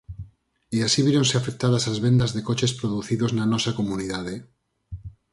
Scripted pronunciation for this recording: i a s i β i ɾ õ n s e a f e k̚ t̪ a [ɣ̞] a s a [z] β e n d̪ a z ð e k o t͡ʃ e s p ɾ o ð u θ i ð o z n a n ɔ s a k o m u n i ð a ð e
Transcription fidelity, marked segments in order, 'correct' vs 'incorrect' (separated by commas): incorrect, correct